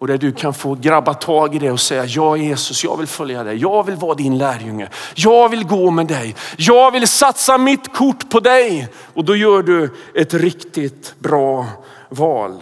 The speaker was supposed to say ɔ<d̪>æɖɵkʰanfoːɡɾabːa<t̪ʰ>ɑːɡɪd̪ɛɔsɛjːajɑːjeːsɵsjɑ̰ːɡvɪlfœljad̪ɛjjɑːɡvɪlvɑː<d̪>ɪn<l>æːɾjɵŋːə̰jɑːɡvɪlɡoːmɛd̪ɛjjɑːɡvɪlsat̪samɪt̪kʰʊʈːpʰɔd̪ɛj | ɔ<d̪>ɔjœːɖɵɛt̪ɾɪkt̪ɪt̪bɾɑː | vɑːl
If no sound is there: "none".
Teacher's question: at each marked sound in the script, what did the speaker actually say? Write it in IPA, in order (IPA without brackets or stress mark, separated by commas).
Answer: d̪, t̪ʰ, d̪, l, d̪